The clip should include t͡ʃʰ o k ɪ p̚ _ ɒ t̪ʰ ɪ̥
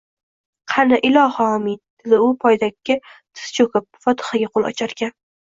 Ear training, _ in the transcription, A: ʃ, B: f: B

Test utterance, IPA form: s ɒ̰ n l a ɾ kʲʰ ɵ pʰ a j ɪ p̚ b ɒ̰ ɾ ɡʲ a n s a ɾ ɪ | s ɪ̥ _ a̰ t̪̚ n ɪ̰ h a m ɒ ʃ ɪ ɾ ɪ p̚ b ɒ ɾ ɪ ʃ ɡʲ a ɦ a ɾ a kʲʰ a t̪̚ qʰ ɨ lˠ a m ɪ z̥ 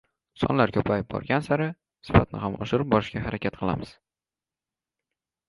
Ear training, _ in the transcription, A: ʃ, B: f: B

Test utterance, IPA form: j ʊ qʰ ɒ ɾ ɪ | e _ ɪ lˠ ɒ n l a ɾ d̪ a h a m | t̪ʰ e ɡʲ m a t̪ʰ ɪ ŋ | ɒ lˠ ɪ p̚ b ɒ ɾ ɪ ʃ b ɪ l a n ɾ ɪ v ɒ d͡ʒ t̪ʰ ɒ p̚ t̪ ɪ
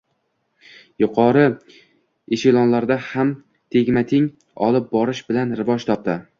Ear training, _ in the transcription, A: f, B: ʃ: B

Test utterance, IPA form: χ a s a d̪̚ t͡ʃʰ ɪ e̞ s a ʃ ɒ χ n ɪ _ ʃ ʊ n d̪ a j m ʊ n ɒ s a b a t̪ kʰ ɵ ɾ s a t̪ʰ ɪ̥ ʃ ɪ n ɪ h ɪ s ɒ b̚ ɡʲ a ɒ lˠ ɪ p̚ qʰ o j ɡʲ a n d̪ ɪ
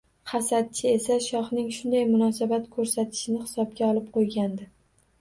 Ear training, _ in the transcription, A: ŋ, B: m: A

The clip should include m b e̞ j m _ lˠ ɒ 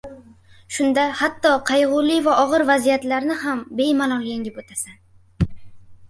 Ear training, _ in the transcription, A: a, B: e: A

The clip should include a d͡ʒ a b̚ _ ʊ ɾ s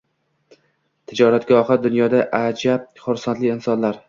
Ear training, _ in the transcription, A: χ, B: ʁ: A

